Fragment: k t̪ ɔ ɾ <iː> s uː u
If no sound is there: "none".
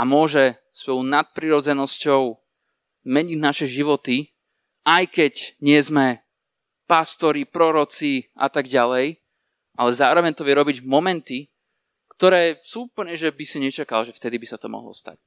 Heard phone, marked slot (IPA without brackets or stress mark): ɛː